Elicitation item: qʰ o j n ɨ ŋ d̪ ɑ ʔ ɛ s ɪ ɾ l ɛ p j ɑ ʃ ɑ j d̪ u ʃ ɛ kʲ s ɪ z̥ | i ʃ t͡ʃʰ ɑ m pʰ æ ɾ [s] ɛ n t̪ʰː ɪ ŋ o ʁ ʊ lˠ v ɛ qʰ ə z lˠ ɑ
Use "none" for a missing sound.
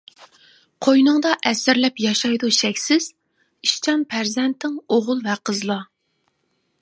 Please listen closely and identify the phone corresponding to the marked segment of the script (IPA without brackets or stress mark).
z